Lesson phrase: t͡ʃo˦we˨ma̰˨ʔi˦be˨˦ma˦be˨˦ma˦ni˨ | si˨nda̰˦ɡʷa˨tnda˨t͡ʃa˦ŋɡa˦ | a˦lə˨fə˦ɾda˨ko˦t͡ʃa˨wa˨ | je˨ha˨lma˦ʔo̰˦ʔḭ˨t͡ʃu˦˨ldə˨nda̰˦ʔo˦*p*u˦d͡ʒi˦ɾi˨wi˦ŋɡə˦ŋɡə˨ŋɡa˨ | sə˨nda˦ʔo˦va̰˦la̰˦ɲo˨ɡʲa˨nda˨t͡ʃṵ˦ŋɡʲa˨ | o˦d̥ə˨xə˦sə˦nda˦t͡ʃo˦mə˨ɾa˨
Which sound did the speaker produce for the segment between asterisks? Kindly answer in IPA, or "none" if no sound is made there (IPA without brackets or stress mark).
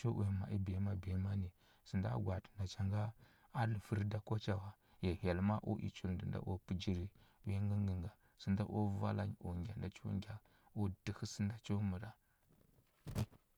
p